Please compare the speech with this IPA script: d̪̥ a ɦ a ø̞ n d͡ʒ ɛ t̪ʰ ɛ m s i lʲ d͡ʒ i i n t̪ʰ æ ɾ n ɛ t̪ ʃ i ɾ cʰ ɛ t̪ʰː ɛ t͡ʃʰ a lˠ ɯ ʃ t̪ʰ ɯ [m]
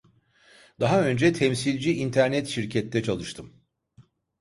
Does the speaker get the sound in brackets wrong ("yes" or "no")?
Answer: no